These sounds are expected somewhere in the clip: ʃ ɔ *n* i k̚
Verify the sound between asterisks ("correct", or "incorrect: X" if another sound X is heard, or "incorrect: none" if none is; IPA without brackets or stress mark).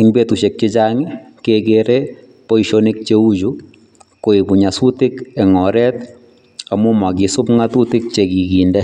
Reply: correct